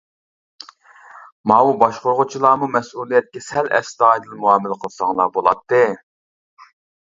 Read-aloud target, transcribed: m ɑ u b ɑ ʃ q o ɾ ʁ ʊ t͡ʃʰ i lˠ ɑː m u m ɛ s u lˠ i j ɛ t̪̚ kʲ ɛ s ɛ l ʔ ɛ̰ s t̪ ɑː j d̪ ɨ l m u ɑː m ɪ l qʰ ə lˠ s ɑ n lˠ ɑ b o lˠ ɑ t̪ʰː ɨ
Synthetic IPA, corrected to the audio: m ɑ u b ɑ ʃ q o ɾ ʁ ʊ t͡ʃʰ i lˠ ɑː m u m ɛ s u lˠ i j ɛ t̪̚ kʲ ɛ s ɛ l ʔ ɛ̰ s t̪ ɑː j d̪ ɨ l m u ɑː m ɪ l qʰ ə lˠ s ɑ ŋ lˠ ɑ b o lˠ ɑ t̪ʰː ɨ